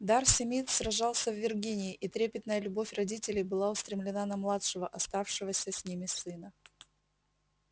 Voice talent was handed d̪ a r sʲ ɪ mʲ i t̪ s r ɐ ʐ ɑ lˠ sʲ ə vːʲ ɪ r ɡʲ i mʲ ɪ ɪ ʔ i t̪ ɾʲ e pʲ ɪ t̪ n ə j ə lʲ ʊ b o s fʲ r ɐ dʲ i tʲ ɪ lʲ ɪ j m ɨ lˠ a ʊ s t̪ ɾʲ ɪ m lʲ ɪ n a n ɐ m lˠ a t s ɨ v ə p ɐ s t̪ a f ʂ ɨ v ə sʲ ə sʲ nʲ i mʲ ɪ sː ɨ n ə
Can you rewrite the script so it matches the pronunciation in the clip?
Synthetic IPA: d̪ a r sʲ ɪ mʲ i t̪ s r ɐ ʐ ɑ lˠ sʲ ə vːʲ ɪ r ɡʲ i nʲ ɪ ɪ ʔ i t̪ ɾʲ e pʲ ɪ t̪ n ə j ə lʲ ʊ b o fʲ r ɐ dʲ i tʲ ɪ lʲ ɪ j b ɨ lˠ a ʊ s t̪ ɾʲ ɪ m lʲ ɪ n a n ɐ m lˠ a t ʂ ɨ v ə ʔ ɐ s t̪ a f ʂ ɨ v ə sʲ ə sʲ nʲ i mʲ ɪ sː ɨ n ə